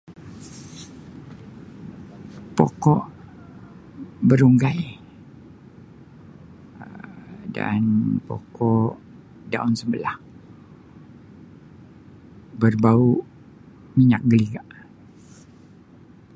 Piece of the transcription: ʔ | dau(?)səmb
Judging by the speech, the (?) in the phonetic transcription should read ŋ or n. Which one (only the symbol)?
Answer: n